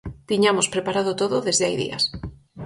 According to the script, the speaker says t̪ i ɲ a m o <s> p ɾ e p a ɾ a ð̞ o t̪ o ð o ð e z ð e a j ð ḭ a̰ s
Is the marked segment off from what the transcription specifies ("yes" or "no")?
no